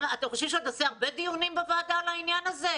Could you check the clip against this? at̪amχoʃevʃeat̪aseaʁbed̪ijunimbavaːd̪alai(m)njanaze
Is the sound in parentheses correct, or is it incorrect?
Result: incorrect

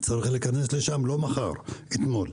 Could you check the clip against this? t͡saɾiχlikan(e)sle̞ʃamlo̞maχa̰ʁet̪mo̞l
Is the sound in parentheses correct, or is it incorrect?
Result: correct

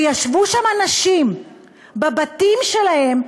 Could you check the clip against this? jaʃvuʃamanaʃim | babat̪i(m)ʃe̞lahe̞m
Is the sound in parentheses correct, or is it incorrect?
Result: correct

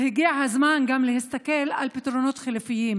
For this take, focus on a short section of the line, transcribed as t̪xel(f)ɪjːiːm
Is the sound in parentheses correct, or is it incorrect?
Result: correct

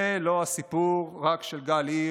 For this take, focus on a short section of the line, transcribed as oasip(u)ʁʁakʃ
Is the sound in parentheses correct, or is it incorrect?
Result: correct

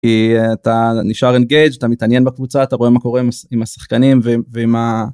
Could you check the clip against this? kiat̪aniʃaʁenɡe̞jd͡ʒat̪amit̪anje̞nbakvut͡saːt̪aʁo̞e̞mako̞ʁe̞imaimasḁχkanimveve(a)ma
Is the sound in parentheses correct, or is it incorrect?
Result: incorrect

